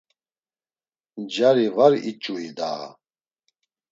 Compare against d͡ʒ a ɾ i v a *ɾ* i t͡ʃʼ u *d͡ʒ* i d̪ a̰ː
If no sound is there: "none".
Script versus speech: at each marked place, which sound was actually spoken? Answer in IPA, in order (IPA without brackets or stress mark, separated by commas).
ɾ, none